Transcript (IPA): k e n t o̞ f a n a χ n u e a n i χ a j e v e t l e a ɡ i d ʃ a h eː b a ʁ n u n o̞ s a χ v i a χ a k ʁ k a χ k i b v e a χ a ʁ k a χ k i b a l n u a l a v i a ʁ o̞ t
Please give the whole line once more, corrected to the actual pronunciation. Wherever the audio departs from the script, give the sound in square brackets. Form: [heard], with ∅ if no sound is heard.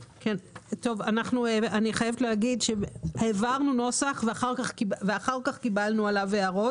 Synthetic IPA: k e n t o̞ [v] a n a χ n u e a n i χ a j e v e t l e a ɡ i d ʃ [e] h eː [v] a ʁ n u n o̞ s a χ v [e] a χ a [∅] ʁ k a χ k i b v e a χ a ʁ k a χ k i b a l n u a l a v [e] a ʁ o̞ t